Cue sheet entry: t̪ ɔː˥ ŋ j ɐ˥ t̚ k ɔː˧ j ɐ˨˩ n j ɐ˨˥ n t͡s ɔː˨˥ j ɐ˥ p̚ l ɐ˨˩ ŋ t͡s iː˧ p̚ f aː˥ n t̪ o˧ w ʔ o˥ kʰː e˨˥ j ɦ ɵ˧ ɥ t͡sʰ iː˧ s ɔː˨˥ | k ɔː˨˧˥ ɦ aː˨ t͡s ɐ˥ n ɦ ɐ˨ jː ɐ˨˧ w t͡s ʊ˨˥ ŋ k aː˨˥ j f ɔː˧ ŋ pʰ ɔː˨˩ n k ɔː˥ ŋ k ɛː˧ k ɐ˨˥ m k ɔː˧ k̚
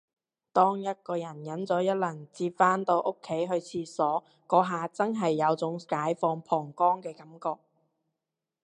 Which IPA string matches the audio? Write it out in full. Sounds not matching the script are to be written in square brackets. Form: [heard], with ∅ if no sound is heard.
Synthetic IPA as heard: t̪ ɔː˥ ŋ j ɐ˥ t̚ k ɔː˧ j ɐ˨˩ n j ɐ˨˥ n t͡s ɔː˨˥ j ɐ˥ [t̚] l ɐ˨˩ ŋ t͡s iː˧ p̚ f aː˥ n t̪ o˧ w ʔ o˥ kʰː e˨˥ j ɦ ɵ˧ ɥ t͡sʰ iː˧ s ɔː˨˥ | k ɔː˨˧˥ ɦ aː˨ t͡s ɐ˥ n ɦ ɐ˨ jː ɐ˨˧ w t͡s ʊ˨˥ ŋ k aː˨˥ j f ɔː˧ ŋ pʰ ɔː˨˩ [ŋ] k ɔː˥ ŋ k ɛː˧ k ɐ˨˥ m k ɔː˧ k̚